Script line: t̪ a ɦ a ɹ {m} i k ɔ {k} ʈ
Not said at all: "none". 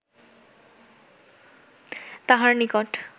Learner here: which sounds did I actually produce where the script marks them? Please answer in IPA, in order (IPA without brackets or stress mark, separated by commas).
n, none